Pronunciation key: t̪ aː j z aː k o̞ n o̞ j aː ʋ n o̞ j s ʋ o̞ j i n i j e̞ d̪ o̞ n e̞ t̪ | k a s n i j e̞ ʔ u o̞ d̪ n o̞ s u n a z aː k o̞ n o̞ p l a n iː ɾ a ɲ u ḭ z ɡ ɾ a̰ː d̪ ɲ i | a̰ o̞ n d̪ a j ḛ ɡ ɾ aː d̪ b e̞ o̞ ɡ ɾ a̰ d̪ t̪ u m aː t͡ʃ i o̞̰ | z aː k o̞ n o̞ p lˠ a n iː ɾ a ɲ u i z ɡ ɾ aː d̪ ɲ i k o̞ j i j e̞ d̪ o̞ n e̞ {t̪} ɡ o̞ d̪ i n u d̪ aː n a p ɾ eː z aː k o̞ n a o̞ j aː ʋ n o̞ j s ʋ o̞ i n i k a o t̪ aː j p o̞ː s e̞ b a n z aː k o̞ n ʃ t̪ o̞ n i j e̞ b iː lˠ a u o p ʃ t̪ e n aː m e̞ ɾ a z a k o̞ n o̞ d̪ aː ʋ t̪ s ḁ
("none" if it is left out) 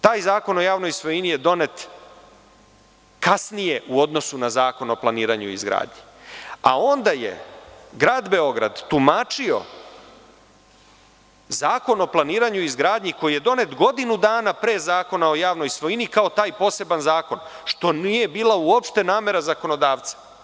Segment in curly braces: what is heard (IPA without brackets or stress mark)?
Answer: t̪